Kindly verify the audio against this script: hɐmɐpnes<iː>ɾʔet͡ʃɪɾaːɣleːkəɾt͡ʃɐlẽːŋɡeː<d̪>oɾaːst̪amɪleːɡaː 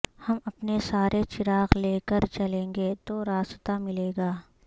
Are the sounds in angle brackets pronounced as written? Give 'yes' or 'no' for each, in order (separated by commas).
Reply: no, no